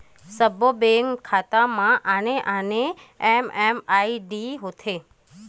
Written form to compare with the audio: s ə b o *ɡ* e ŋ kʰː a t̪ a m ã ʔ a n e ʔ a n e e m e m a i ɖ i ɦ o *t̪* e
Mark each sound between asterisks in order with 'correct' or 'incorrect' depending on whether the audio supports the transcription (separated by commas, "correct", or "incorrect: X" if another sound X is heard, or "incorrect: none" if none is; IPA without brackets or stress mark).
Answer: incorrect: b, incorrect: t̪ʰ